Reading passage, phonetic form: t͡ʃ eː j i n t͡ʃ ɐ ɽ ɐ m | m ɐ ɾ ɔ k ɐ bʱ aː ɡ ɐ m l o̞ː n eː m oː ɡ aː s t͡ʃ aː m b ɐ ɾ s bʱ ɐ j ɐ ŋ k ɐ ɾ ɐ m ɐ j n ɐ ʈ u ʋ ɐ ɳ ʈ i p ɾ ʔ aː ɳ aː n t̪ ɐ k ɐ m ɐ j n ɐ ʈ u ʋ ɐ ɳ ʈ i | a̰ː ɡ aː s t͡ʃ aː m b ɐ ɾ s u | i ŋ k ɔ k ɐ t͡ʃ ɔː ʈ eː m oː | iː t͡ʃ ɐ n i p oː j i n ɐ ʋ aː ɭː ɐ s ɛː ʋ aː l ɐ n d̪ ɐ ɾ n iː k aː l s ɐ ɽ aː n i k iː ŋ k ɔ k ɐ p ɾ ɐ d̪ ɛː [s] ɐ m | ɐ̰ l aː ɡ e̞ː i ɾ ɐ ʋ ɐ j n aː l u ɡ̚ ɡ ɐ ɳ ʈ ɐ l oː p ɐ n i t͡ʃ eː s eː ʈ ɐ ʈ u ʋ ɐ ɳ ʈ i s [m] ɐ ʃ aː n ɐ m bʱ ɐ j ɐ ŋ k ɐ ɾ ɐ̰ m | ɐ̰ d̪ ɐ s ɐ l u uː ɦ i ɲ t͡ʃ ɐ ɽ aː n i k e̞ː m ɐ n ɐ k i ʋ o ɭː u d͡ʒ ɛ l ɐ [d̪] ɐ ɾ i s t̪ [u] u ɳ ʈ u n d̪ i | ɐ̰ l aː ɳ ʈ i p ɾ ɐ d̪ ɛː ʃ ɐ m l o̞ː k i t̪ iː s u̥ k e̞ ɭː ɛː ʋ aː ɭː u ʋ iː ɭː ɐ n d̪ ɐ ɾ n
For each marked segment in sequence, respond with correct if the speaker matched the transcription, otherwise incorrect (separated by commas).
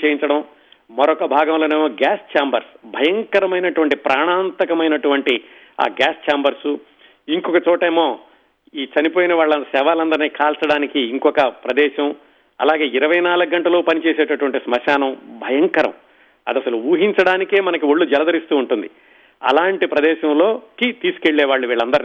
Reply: incorrect, correct, correct, incorrect